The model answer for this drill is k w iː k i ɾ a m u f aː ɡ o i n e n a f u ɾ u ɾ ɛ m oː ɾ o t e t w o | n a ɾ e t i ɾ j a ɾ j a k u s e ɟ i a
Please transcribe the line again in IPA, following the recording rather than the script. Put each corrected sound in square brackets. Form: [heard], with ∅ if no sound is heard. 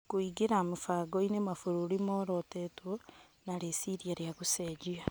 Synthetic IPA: k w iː [ɡ] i ɾ a m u f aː ɡ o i n e [m] a f u ɾ u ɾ [i] m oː ɾ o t e t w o | n a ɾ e [s] i ɾ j a ɾ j a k u s e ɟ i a